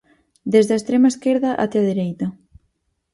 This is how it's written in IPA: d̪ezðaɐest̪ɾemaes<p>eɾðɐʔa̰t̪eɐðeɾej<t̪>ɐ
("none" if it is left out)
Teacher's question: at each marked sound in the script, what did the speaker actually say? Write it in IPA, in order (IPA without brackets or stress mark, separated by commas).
k, t̪